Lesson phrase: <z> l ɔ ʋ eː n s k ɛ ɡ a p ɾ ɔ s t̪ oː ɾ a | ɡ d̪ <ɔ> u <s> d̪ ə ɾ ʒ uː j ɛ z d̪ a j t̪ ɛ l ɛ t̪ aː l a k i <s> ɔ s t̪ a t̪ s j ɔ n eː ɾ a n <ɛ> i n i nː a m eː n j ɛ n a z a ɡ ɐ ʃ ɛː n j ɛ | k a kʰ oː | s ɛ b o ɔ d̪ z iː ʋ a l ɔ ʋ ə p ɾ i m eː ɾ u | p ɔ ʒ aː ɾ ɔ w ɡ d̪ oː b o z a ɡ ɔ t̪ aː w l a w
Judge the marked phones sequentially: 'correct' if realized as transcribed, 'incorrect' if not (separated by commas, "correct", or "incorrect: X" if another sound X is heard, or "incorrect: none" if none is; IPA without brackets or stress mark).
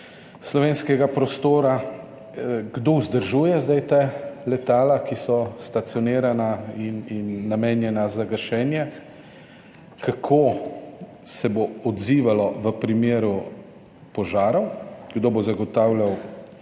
incorrect: s, incorrect: o, incorrect: z, correct, incorrect: a